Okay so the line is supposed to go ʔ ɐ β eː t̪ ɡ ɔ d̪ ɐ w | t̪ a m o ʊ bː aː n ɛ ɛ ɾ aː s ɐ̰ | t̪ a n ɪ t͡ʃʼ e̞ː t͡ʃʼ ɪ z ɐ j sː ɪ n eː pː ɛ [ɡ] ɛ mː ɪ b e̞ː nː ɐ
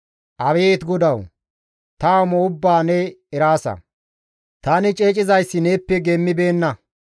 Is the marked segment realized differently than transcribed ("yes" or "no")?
no